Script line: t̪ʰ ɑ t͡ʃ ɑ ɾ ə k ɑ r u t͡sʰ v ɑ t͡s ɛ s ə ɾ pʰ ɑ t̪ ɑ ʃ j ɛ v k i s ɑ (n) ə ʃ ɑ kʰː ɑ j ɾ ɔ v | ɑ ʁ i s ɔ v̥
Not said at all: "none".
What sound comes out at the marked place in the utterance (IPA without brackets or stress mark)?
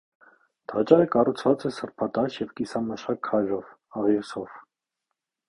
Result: m